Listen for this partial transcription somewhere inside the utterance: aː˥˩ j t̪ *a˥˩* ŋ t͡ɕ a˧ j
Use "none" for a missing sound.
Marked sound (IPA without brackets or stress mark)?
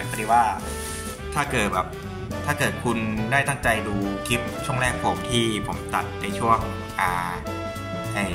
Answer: a˥˩